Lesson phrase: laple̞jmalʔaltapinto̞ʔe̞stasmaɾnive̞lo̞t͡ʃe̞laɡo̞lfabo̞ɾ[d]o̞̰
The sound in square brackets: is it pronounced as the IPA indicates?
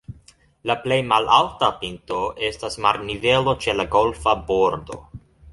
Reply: yes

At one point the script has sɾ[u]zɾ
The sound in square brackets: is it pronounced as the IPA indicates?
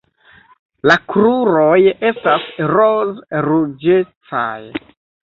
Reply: no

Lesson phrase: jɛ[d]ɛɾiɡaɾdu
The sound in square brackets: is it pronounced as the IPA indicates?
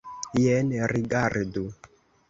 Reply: no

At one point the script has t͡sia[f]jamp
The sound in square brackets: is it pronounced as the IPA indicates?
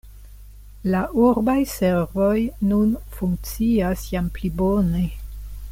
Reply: no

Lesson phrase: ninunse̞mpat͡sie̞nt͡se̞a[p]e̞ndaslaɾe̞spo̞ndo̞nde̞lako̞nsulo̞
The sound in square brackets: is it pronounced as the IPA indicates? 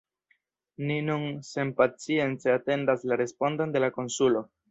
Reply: no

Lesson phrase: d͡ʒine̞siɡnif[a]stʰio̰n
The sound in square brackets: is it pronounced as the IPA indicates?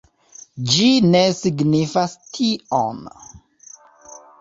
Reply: yes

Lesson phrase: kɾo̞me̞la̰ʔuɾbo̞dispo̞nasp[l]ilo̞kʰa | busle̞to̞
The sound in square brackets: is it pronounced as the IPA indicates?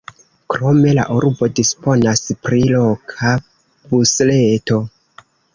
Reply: no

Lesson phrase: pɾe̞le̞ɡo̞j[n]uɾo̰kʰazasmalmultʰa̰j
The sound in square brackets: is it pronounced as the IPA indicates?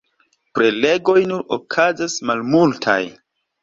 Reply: yes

